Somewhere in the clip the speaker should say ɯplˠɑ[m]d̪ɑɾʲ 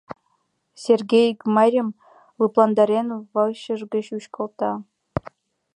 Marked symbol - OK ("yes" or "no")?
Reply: no